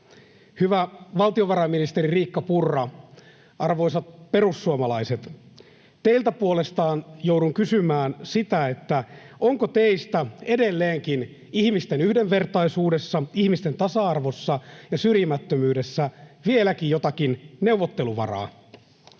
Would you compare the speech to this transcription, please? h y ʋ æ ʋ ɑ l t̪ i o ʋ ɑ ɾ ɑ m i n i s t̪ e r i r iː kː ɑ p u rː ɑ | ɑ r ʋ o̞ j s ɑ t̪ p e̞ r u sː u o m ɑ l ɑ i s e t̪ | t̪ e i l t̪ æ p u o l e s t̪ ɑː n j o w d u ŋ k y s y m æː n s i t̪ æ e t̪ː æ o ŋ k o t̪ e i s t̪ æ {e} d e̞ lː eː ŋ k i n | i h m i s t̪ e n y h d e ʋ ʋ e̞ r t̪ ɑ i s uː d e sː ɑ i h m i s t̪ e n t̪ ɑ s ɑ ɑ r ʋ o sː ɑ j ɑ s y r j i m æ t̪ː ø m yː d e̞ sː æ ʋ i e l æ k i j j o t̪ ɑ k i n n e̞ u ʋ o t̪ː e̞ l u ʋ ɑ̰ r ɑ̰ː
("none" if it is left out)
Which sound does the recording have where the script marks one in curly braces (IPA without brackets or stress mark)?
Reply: e